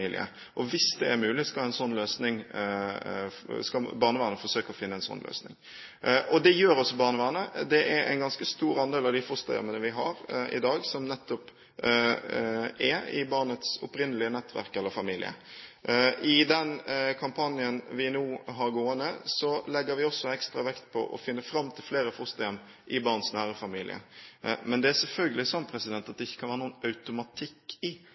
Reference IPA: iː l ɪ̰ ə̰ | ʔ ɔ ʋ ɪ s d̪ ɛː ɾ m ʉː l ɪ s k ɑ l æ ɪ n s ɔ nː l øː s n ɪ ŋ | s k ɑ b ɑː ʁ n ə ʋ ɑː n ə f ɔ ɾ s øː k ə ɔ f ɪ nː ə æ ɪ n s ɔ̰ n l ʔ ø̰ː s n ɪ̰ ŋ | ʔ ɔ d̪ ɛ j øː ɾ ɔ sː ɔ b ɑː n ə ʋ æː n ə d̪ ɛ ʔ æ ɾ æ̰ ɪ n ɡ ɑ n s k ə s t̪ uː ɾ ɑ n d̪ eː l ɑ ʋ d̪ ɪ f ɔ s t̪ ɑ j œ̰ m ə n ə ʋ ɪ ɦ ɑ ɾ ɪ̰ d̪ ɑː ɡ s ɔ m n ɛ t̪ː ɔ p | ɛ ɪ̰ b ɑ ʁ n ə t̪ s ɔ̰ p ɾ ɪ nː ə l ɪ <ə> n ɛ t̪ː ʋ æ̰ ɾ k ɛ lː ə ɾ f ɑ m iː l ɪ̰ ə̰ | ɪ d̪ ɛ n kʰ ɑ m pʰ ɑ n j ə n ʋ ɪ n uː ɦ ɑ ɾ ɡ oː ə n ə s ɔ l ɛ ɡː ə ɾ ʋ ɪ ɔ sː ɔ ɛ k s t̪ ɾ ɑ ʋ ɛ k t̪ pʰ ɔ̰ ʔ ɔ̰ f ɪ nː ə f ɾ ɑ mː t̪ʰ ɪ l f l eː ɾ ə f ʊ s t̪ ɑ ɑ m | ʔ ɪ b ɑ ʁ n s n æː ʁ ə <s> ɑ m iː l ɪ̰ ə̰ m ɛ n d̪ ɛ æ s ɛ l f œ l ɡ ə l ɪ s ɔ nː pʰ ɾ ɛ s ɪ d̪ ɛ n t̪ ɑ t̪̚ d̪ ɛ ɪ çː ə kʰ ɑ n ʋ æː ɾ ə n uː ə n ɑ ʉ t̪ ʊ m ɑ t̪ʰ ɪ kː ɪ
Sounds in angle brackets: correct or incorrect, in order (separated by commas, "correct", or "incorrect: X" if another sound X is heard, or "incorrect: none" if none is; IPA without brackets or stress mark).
correct, incorrect: f